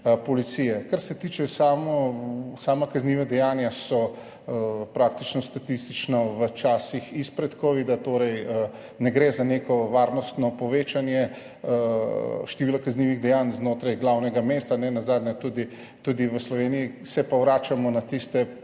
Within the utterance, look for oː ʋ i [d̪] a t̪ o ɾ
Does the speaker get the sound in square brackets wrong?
no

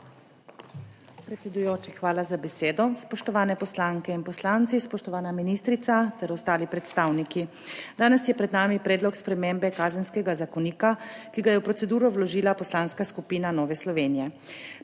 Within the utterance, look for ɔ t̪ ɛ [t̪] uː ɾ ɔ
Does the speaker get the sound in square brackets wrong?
yes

